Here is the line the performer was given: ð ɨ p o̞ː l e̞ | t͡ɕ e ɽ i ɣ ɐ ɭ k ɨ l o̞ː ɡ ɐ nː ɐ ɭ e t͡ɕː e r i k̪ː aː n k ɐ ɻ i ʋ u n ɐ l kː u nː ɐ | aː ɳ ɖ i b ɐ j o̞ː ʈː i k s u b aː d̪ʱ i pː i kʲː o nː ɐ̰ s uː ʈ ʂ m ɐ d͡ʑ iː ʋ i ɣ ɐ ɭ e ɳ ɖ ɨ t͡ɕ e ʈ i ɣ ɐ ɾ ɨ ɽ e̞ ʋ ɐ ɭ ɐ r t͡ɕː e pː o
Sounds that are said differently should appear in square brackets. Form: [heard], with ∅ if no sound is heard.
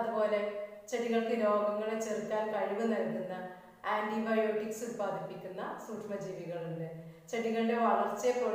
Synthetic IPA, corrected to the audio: ð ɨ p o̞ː l e̞ | t͡ɕ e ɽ i ɣ ɐ ɭ k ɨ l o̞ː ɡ ɐ [ŋː] ɐ ɭ e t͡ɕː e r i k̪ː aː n k ɐ ɻ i ʋ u n ɐ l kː u nː ɐ | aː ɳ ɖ i b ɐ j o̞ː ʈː i k s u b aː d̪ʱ i pː i kʲː [u] nː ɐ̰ s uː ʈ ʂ m ɐ d͡ʑ iː ʋ i ɣ ɐ ɭ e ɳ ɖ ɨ t͡ɕ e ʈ i ɣ ɐ [ɭ] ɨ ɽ e̞ ʋ ɐ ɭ ɐ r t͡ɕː e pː o